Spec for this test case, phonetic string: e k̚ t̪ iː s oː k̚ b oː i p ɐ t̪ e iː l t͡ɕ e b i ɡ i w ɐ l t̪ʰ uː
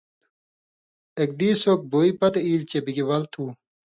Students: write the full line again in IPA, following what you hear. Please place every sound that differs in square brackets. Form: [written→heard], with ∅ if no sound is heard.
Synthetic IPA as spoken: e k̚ [t̪→d̪] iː s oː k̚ b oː i p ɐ t̪ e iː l t͡ɕ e b i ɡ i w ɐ l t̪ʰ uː